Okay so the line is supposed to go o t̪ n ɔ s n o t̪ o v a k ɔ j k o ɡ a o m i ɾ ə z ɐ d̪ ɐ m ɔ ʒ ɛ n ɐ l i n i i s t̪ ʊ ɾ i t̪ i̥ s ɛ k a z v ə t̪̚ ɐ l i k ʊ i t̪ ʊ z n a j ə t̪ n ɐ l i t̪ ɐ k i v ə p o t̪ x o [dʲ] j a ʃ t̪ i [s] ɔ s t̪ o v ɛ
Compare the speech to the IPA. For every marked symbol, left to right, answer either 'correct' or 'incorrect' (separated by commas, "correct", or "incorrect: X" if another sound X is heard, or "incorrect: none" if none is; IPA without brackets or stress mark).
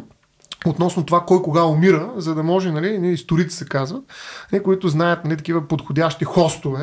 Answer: correct, incorrect: x